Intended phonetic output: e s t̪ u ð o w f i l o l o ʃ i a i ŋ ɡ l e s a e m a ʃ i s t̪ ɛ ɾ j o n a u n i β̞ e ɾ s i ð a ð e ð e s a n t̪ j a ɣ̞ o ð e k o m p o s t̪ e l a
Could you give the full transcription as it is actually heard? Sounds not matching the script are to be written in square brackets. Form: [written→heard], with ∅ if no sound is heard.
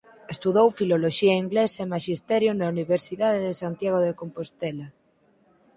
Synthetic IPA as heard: e s t̪ u ð o w f i l o l o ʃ i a i ŋ ɡ l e s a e m a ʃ i s t̪ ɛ ɾ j o n a u n i β̞ e ɾ s i ð a ð e ð e s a n t̪ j a ɣ̞ o ð e k o m p o s t̪ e l a